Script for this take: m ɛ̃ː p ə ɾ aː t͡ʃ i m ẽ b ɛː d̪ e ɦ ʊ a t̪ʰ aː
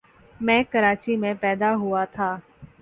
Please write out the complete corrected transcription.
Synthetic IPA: m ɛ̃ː k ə ɾ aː t͡ʃ i m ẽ p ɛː d̪ a ɦ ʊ a t̪ʰ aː